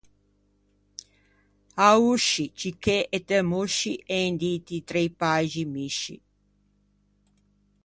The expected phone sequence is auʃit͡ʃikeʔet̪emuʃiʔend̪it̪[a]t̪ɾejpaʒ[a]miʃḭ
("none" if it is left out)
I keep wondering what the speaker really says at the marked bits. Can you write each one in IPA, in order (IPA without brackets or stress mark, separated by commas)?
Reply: i, i